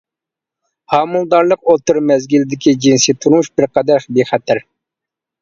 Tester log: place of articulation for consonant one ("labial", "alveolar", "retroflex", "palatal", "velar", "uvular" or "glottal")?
glottal